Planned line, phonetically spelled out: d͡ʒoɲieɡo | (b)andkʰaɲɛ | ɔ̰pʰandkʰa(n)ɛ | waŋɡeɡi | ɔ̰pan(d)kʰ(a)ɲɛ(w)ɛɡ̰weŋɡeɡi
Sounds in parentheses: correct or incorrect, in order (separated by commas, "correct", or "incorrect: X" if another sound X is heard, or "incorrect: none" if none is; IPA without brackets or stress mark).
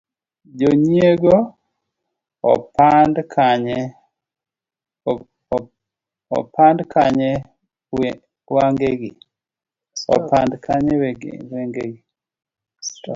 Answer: incorrect: p, incorrect: ɲ, correct, correct, correct